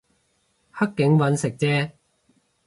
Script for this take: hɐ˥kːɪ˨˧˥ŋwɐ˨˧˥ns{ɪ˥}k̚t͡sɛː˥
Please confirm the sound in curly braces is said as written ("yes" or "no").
no